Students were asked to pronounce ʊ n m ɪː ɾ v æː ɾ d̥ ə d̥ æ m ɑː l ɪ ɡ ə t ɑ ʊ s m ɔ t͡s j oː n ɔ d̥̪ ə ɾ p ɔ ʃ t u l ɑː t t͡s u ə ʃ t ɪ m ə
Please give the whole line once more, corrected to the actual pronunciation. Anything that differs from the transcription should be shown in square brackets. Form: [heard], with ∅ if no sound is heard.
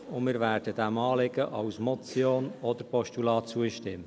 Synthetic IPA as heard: ʊ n m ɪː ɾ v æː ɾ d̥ ə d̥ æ m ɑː l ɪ ɡ ə [ʔ] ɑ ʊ s m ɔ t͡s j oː n ɔ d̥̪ ə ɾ p ɔ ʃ t u l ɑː t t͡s u ə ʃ t ɪ m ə